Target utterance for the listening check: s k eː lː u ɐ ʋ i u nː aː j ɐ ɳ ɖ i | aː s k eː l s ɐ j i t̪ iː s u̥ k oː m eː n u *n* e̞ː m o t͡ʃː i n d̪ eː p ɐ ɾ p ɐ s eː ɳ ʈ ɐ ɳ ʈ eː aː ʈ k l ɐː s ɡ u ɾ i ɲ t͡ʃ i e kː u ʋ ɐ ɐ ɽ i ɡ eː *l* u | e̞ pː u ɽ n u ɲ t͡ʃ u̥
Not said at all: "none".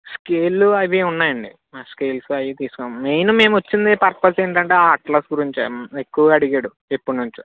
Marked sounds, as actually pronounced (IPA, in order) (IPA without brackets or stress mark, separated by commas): m, ɽ